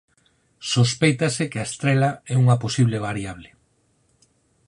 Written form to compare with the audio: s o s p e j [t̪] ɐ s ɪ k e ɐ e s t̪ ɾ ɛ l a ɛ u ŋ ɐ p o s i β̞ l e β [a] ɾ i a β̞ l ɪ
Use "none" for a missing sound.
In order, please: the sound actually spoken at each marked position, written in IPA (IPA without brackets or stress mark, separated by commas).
t̪, a